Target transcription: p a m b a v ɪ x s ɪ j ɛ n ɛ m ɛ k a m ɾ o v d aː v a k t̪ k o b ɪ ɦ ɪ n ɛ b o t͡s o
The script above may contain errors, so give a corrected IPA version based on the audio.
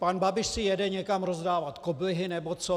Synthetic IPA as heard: p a n b a b ɪ ʃ s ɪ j ɛ d ɛ ɲ ɛ k a m ɾ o z d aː v a t̪ k o b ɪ ɦ ɪ n ɛ b o t͡s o